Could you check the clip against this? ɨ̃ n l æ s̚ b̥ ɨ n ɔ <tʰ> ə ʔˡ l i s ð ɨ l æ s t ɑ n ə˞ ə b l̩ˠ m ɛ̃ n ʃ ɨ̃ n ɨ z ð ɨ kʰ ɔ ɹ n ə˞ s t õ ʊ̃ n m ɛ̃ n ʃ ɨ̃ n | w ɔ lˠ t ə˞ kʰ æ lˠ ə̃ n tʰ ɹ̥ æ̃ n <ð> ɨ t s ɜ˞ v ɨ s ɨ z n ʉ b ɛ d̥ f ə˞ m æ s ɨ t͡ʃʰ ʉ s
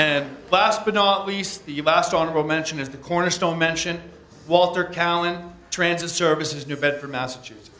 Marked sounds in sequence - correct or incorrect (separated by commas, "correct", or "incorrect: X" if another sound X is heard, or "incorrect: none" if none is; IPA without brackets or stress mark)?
incorrect: none, incorrect: z